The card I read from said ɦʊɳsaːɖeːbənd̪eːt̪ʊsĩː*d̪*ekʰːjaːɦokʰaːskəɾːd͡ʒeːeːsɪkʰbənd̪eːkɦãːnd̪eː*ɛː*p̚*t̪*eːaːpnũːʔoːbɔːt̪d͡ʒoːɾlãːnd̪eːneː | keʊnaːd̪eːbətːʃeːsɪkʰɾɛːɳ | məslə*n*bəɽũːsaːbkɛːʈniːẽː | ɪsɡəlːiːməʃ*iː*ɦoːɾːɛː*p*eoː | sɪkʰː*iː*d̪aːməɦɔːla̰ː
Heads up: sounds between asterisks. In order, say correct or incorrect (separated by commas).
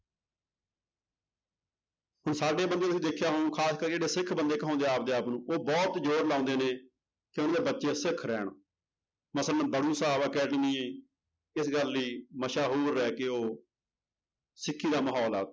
correct, incorrect, incorrect, correct, incorrect, incorrect, correct